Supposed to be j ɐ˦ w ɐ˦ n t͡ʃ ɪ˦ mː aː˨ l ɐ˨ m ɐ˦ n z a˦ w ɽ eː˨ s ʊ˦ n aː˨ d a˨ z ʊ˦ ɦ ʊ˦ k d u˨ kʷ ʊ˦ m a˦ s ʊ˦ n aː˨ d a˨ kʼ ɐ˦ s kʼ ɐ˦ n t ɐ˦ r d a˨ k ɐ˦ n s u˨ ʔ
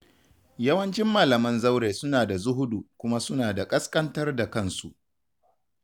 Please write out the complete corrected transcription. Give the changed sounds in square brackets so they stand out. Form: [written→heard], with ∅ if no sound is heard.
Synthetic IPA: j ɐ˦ w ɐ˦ n t͡ʃ ɪ˦ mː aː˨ l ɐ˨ m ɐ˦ n z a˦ w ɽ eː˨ s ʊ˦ n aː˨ d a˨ z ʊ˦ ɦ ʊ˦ [k→∅] d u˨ kʷ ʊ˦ m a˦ s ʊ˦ n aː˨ d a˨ kʼ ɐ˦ s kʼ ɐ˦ n t ɐ˦ r d a˨ k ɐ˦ n s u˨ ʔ

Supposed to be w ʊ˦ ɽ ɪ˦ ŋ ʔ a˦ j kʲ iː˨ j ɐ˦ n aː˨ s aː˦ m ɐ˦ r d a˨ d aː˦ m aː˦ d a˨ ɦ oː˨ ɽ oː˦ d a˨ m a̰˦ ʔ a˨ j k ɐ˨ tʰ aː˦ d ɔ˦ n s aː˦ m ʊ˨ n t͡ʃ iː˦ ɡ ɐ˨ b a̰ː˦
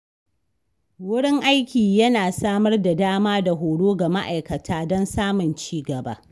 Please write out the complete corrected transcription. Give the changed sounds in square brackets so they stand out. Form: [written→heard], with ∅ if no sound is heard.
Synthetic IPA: w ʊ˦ ɽ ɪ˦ ŋ ʔ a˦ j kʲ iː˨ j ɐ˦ n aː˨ s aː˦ m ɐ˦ r d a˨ d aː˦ m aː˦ d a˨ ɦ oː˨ ɽ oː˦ [d→ɡ] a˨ m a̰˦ ʔ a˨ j k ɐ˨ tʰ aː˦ d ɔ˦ n s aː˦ m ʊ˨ n t͡ʃ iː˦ ɡ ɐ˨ b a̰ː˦

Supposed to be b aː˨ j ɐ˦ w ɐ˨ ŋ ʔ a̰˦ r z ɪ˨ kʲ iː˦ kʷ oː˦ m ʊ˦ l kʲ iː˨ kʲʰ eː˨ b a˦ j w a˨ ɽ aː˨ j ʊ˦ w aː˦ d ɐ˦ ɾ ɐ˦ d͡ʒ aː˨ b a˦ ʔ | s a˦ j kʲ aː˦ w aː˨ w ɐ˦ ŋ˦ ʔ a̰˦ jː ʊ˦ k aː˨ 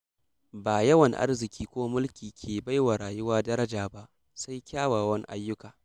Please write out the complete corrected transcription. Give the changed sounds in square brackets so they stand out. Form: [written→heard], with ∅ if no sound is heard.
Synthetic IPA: b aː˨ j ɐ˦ w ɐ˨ ŋ ʔ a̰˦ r z ɪ˨ kʲ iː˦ kʷ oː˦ m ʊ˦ l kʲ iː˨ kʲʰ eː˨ b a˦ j w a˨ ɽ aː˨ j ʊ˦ w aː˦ d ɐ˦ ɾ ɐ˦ d͡ʒ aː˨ b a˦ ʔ | s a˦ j kʲ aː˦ w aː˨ w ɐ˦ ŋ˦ ʔ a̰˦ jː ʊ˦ k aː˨

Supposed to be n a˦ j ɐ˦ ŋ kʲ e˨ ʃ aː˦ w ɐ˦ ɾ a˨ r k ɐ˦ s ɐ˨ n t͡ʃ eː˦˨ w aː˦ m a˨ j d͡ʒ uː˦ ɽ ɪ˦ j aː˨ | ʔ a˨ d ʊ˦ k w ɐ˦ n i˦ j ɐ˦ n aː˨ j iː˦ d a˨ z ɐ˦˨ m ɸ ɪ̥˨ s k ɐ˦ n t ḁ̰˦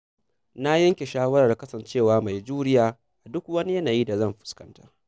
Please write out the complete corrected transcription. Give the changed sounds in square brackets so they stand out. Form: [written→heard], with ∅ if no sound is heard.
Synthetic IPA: n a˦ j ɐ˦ ŋ kʲ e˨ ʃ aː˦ w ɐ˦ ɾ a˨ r k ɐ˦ s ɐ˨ n t͡ʃ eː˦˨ w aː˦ m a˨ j d͡ʒ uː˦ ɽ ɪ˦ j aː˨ | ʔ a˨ d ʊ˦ k w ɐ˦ n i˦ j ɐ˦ n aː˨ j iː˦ d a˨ z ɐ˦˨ m ɸ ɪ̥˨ s k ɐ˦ n t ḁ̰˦

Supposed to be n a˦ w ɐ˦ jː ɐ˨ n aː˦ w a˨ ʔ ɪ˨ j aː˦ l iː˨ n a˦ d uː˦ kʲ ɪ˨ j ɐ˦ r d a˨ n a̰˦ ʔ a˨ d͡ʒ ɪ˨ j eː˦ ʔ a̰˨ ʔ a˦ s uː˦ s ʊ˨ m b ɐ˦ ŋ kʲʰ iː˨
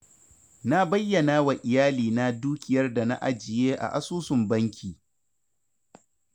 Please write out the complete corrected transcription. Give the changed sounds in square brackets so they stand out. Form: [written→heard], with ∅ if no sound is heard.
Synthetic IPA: n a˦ [w→b] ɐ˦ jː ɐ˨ n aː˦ w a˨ ʔ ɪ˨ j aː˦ l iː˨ n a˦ d uː˦ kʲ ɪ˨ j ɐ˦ r d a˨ n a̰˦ ʔ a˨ d͡ʒ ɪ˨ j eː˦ ʔ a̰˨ ʔ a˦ s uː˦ s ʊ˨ m b ɐ˦ ŋ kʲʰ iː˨

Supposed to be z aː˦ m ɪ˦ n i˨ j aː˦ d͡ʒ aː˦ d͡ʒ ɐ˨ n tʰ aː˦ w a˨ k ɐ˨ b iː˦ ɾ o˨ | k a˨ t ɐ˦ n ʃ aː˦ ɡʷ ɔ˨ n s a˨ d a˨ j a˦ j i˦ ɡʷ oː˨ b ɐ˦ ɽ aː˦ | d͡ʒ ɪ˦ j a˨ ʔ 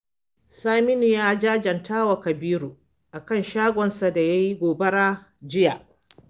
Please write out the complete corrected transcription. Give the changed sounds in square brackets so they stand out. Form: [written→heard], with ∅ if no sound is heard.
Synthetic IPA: [z→s] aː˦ m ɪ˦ n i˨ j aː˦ d͡ʒ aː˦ d͡ʒ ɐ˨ n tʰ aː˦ w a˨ k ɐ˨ b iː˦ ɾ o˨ | [k→ʔ] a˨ [t→k] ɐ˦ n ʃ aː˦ ɡʷ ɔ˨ n s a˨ d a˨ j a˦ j i˦ ɡʷ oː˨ b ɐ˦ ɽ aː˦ | d͡ʒ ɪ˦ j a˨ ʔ

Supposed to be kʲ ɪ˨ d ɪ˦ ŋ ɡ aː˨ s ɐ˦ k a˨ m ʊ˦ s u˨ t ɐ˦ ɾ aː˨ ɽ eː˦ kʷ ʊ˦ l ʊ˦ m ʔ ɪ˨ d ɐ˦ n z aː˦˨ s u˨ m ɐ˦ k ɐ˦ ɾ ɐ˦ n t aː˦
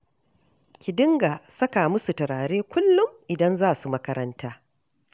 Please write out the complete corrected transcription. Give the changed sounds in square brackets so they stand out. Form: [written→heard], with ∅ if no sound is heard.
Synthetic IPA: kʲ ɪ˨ d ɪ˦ ŋ ɡ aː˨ s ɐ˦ k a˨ m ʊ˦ s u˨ t [ɐ˦→ɐ˨] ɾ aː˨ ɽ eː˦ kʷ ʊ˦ [l→lː] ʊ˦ m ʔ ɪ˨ d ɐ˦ n z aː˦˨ s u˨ m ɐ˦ k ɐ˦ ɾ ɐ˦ n t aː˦

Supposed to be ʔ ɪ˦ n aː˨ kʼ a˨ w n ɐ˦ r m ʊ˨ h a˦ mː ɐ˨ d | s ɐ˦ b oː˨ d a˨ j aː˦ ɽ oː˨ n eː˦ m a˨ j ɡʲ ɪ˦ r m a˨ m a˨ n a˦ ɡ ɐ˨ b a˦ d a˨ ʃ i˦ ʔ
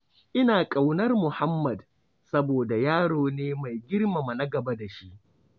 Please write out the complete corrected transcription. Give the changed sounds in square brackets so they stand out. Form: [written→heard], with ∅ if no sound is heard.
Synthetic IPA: ʔ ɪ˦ n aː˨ kʼ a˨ w n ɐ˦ r m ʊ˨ h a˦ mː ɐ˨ d | s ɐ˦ b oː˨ d a˨ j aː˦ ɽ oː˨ n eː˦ m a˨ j ɡʲ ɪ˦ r m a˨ m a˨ n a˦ ɡ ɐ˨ b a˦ d a˨ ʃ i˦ ʔ

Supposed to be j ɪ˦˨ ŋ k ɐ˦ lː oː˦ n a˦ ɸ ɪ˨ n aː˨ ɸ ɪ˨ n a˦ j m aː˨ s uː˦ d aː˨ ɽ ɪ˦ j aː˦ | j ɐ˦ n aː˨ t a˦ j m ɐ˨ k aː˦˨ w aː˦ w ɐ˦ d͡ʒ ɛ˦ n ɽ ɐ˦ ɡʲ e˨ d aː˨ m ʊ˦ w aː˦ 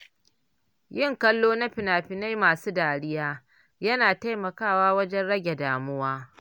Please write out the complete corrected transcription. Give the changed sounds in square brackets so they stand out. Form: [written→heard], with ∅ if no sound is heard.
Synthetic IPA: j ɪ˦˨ ŋ k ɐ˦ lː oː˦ n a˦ ɸ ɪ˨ n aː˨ ɸ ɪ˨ n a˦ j m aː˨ s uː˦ d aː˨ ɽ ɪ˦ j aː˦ | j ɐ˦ n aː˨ t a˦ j m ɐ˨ k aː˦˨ w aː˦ w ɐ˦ d͡ʒ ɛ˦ n ɽ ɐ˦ ɡʲ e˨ d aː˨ m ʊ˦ w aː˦

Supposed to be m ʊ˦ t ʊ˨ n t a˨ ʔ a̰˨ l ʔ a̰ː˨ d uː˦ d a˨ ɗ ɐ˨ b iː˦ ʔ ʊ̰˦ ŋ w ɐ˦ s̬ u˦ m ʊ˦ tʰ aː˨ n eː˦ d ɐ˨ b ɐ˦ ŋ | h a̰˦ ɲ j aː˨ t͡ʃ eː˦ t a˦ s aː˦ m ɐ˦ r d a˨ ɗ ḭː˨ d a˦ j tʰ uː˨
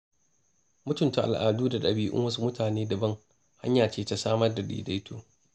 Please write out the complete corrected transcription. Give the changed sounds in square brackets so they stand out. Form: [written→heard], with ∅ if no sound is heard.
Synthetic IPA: m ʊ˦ t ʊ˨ n t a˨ ʔ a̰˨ l ʔ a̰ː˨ d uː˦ d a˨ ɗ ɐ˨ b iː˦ ʔ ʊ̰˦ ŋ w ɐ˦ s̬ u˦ m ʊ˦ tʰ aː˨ n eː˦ d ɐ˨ b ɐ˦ ŋ | h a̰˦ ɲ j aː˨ t͡ʃ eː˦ t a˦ s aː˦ m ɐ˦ r d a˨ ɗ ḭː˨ d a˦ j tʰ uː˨

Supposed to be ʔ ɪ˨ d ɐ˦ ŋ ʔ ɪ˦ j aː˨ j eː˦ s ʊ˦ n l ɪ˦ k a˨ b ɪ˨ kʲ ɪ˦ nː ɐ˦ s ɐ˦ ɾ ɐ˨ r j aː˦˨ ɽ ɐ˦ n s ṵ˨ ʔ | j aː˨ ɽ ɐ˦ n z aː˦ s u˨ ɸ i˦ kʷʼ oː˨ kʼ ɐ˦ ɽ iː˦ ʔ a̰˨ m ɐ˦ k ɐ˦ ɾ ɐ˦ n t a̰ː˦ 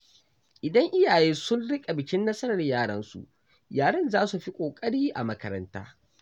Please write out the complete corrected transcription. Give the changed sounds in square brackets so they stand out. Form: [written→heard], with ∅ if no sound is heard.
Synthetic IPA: ʔ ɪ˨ d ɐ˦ ŋ ʔ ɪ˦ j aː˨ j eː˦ s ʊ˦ n [l→ɽ] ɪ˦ [k→kʼ] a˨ b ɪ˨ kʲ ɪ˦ nː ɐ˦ s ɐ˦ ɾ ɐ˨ r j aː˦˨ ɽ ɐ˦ n s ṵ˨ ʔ | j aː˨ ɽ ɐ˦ n z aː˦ s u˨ ɸ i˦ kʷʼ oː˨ kʼ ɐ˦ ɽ iː˦ ʔ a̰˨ m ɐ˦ k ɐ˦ ɾ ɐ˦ n t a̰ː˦

